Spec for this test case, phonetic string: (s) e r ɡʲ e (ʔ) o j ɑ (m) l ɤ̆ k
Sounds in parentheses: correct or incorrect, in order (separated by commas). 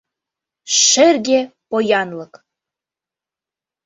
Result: incorrect, incorrect, incorrect